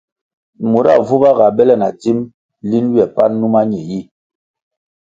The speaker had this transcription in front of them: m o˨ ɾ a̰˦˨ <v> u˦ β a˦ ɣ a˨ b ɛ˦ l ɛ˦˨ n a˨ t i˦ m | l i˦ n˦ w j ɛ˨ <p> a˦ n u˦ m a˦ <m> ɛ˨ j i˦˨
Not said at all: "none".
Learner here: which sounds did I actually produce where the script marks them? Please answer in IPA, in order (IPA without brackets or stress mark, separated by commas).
v, p, ɲ